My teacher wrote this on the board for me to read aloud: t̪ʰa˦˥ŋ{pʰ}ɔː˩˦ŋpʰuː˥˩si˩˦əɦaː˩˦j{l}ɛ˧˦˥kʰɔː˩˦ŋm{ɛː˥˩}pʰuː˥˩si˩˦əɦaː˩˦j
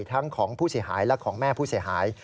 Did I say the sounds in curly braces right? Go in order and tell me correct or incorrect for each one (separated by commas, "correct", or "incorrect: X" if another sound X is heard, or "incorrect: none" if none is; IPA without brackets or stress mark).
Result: incorrect: kʰ, correct, correct